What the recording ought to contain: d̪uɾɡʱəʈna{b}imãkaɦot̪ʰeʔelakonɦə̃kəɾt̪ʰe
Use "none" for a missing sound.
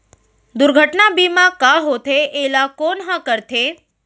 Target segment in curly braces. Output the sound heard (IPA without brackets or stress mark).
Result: b